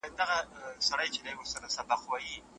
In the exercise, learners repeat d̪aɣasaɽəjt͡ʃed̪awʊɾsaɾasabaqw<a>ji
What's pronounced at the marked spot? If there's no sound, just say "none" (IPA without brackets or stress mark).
a